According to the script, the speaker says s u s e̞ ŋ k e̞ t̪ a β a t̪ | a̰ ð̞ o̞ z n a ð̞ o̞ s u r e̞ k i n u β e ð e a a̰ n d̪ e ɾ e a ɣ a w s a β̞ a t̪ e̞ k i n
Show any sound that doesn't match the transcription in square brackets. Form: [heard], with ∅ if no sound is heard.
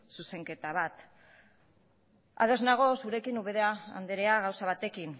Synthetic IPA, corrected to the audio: s u s e̞ ŋ k e̞ t̪ a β a t̪ | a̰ ð̞ o̞ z n a [ɣ̞] o̞ s u [ɾ] e̞ k i n u β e ð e a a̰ n d̪ e ɾ e a ɣ a w s a β̞ a t̪ e̞ k i n